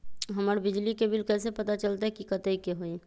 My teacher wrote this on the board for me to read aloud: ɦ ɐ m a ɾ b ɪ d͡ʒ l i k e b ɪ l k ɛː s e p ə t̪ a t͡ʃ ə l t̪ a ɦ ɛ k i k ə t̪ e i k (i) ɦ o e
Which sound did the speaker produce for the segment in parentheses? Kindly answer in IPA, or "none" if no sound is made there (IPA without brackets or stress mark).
e